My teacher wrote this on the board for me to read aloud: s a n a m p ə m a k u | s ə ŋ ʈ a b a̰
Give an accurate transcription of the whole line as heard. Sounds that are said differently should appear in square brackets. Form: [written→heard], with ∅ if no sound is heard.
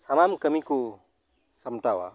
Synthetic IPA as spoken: s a [n→m] a m [p→k] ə m [a→i] k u | s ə [ŋ→m] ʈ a [b→w] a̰